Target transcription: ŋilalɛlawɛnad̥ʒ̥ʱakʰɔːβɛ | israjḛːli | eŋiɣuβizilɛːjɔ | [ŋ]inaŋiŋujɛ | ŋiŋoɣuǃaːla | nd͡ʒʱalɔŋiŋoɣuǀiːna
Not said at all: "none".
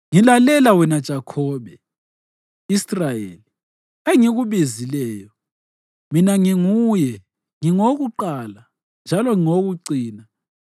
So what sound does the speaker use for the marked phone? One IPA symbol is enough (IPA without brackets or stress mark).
m